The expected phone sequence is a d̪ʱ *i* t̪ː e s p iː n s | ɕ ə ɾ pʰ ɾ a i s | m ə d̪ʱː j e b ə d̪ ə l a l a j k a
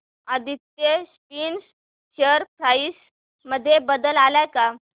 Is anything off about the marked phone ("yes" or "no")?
no